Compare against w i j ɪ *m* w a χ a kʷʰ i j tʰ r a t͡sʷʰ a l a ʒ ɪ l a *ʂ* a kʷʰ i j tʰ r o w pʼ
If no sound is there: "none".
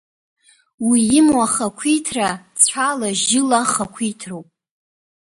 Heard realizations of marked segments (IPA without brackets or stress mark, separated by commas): m, χ